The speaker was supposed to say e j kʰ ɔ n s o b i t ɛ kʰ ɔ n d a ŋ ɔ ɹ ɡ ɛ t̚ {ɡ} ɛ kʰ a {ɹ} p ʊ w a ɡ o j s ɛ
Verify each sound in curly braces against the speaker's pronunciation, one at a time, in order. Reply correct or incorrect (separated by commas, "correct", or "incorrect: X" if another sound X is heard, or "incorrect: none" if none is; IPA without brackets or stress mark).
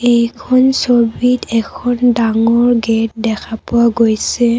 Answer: incorrect: d, incorrect: none